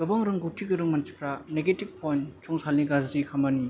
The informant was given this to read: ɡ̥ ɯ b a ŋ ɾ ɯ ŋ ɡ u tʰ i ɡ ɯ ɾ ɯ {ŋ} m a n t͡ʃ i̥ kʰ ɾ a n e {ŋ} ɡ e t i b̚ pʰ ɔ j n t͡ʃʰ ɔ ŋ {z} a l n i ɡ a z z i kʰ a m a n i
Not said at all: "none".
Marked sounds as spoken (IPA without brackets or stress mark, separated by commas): ŋ, none, s